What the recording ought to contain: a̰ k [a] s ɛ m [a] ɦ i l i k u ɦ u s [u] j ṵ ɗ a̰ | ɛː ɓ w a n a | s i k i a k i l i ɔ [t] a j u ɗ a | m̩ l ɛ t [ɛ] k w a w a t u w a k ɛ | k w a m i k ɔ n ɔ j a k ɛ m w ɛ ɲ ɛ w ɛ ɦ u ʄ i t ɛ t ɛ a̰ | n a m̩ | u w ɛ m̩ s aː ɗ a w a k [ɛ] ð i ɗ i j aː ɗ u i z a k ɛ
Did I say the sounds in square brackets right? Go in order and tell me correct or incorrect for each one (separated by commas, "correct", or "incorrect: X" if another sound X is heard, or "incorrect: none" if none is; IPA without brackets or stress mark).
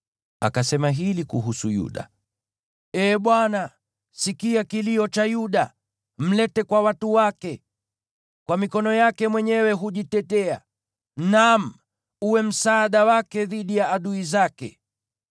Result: correct, correct, correct, incorrect: t͡ʃ, correct, correct